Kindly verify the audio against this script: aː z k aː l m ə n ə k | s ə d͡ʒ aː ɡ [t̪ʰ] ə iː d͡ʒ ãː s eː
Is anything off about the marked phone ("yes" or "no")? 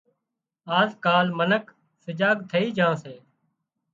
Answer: no